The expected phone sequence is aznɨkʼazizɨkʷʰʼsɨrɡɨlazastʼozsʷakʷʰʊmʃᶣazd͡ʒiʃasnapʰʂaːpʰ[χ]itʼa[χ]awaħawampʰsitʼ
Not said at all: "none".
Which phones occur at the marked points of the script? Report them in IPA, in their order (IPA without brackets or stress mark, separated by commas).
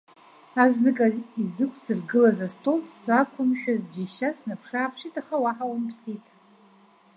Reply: ʂ, χ